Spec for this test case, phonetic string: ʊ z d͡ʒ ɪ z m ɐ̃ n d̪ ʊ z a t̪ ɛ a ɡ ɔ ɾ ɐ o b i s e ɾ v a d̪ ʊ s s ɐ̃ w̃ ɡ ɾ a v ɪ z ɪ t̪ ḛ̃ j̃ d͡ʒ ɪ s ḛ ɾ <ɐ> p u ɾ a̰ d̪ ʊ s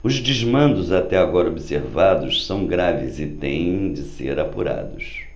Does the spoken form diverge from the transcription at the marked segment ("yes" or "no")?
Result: yes